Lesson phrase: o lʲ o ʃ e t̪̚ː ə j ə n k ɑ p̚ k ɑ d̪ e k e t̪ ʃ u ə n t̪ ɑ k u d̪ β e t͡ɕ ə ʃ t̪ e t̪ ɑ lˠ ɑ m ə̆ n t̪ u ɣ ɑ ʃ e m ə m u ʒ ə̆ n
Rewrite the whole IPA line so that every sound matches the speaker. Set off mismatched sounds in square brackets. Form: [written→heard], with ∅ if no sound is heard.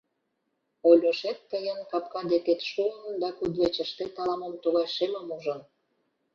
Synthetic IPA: o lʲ o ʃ e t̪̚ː ə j ə n k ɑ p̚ k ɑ d̪ e k e t̪ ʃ u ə n [t̪→d̪] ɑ k u d̪ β e t͡ɕ ə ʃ t̪ e t̪ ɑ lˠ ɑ m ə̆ [n→m] t̪ u ɣ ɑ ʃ e m ə m u ʒ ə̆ n